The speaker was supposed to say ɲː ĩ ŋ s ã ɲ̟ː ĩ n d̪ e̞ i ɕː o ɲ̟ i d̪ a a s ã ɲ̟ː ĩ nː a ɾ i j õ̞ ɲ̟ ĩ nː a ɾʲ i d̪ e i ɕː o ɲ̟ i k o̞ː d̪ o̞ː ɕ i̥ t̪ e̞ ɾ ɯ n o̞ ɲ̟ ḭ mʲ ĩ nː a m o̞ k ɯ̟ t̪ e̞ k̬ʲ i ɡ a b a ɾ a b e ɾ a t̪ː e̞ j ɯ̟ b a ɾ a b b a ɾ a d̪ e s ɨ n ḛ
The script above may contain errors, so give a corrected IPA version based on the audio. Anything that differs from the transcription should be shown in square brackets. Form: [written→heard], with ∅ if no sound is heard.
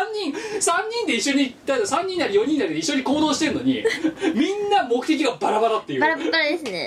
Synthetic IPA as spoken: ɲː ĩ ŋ s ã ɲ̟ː ĩ n d̪ e̞ i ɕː o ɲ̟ i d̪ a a s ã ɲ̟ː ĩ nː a ɾ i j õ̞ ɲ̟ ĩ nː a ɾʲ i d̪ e i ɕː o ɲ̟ i k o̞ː d̪ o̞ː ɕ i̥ t̪ e̞ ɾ ɯ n o̞ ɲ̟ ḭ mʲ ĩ nː a m o̞ k ɯ̟ t̪ e̞ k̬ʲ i ɡ a b a ɾ a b [e→a] ɾ a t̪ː e̞ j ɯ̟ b a ɾ a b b a ɾ a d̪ e s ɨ n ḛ